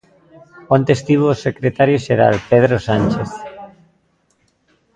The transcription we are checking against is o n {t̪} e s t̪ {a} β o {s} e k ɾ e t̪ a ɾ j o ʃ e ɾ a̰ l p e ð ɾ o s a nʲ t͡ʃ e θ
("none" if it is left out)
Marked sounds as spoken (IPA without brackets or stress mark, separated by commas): t̪, i, s